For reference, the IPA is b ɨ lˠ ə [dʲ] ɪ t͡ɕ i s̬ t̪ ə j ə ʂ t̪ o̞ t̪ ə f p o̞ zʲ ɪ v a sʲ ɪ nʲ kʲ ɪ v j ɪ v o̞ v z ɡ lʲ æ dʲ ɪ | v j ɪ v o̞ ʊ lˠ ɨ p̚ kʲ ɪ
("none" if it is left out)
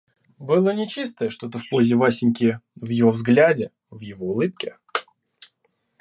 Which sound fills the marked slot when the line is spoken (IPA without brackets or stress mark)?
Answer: nʲ